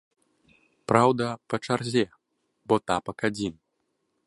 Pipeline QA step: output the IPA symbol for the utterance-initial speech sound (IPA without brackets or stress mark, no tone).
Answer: p